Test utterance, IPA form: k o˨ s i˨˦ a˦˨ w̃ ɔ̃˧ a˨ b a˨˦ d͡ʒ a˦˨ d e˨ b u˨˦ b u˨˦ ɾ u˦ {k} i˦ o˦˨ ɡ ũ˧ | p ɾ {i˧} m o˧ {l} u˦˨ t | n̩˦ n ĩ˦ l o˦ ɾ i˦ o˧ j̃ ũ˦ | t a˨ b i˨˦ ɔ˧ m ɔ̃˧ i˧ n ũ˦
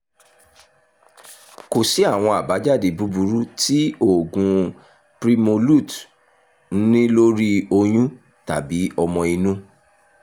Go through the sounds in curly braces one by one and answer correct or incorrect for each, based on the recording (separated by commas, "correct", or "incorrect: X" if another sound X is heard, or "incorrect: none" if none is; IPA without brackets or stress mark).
incorrect: t, correct, correct